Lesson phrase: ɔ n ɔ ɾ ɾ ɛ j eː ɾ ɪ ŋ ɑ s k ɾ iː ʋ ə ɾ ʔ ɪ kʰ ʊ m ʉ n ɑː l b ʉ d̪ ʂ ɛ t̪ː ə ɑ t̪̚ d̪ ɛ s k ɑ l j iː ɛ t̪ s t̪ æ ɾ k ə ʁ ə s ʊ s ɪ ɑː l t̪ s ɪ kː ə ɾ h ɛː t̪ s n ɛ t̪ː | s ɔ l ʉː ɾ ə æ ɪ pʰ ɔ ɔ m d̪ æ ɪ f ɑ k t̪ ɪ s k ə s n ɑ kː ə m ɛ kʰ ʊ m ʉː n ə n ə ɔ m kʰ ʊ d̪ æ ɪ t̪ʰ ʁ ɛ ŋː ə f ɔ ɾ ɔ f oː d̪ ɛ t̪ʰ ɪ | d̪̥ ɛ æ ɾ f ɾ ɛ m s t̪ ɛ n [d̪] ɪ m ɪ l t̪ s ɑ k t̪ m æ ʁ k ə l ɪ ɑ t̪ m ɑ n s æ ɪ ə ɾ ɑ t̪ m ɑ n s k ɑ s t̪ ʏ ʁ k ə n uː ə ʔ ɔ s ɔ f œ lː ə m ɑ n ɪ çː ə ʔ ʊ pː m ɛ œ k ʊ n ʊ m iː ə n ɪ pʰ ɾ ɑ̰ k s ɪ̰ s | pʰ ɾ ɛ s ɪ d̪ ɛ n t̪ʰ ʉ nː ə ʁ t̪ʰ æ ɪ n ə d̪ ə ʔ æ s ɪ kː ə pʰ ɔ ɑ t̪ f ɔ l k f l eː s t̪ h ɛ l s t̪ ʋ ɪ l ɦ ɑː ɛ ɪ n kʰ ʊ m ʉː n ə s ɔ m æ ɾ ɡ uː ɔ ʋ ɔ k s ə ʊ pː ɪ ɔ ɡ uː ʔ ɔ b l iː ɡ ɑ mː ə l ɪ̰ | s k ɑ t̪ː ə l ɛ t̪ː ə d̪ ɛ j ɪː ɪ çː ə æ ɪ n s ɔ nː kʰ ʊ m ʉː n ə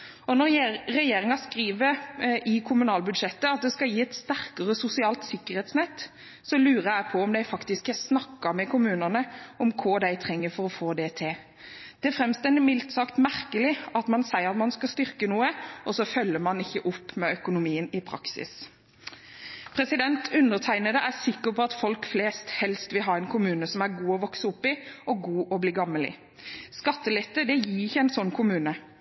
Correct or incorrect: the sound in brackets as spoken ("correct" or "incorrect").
correct